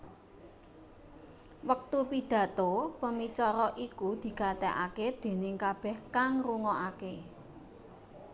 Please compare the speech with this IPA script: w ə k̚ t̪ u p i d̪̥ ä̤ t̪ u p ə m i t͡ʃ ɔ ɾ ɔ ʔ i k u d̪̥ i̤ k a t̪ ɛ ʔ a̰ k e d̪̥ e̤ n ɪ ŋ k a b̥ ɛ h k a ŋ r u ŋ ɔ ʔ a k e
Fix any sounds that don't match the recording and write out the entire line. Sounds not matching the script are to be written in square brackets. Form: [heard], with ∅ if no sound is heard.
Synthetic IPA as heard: w ə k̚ t̪ u p i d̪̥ ä̤ t̪ [o] p ə m i t͡ʃ ɔ ɾ ɔ ʔ i k u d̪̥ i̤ k a t̪ ɛ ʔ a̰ k e d̪̥ e̤ n ɪ ŋ k a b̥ ɛ h k a ŋ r u ŋ ɔ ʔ a k e